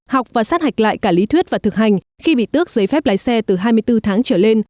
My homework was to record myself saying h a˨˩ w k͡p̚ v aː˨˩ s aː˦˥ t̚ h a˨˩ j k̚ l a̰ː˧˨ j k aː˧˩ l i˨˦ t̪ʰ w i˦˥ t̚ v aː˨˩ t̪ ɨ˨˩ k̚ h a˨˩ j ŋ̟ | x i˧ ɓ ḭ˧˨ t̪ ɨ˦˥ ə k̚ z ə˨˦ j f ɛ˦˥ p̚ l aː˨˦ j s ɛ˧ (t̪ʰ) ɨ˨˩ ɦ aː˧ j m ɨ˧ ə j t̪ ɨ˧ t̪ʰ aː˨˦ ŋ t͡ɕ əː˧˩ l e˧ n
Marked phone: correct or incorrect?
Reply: incorrect: t̪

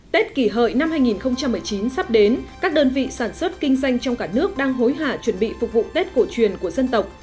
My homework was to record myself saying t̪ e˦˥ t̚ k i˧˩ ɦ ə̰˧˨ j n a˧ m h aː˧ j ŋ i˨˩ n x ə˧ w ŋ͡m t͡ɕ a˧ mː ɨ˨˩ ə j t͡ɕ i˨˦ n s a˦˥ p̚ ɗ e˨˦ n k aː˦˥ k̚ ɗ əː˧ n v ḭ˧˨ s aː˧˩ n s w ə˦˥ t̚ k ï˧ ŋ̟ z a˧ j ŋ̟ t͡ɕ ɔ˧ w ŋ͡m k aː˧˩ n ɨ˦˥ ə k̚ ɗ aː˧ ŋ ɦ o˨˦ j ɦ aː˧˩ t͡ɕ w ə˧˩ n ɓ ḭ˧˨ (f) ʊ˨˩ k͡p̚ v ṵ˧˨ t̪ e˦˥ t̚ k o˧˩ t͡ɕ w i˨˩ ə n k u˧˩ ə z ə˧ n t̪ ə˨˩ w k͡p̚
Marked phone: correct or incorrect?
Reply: correct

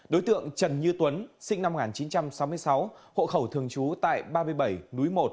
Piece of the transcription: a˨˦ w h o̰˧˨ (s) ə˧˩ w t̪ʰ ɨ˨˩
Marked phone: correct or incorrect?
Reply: incorrect: x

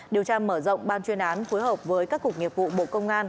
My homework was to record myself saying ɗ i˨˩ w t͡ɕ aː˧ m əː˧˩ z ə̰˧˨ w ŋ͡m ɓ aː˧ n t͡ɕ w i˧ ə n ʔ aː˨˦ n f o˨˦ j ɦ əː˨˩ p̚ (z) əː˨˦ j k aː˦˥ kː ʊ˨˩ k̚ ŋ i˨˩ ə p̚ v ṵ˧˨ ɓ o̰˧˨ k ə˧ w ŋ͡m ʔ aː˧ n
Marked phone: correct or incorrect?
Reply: incorrect: v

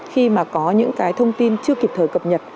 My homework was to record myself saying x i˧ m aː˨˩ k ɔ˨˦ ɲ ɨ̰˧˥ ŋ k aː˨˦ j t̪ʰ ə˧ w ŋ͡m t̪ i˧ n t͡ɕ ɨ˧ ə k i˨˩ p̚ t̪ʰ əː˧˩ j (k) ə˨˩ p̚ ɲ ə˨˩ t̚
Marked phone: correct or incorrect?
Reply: correct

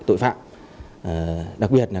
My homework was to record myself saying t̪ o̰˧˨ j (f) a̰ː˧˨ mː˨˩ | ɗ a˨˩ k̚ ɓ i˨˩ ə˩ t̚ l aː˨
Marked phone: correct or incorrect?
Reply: correct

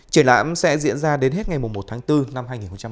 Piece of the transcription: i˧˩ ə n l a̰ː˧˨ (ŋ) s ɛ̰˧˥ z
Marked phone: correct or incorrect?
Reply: incorrect: m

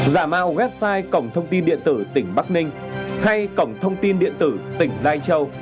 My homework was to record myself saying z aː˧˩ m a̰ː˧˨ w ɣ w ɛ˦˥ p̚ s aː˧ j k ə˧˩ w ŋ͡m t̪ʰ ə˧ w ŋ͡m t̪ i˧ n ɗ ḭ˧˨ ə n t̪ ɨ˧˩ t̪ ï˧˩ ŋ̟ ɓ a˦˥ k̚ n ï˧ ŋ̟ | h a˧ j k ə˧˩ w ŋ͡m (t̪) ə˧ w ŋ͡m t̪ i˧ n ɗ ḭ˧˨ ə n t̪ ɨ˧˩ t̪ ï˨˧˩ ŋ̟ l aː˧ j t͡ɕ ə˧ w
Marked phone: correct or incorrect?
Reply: incorrect: t̪ʰ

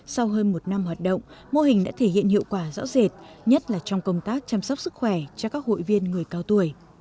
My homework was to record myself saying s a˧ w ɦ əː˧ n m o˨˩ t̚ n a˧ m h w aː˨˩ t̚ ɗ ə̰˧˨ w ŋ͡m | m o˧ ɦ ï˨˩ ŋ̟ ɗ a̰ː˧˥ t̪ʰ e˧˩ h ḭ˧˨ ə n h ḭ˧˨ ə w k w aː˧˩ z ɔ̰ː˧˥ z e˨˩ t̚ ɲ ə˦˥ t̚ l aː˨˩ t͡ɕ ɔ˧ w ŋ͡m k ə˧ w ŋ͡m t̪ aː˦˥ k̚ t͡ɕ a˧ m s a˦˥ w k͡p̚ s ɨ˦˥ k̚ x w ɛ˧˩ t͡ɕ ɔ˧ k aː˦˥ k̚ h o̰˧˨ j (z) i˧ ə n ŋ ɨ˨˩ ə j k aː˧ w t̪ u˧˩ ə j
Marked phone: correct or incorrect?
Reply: incorrect: v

